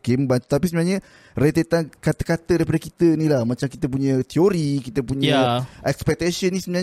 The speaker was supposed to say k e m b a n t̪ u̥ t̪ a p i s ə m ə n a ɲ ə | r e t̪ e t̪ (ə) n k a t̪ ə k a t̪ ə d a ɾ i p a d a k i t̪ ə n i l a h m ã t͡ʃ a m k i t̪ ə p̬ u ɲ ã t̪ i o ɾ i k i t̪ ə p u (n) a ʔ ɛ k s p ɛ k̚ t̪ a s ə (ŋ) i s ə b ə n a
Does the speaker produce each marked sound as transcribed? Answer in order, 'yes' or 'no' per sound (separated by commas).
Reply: no, no, no